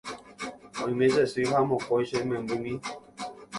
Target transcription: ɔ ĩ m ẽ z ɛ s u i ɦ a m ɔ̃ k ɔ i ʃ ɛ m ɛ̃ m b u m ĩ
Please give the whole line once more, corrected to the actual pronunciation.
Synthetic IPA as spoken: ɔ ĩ m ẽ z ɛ s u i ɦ a m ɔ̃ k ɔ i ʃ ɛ m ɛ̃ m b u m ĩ